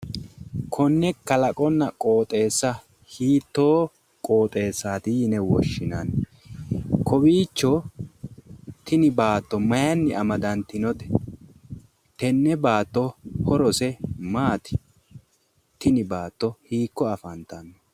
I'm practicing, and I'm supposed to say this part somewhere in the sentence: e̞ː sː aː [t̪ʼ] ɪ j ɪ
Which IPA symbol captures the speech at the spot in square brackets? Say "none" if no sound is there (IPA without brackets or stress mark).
t̪